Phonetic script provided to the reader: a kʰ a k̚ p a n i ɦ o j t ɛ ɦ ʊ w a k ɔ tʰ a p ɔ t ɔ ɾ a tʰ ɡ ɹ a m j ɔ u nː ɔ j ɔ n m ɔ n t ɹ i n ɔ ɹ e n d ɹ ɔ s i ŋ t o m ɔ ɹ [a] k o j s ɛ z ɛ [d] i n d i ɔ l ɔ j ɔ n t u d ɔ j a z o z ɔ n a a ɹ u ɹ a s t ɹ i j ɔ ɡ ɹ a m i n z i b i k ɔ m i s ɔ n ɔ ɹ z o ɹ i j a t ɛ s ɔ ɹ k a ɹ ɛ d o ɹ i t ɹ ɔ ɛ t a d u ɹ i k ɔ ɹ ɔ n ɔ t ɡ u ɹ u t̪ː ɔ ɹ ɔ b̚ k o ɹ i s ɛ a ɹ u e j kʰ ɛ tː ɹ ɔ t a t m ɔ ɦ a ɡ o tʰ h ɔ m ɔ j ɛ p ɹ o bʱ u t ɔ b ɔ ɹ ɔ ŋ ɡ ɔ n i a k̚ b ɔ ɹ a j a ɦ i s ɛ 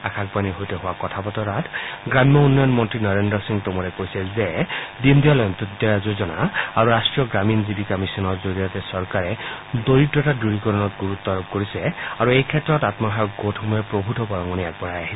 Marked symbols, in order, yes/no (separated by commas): no, yes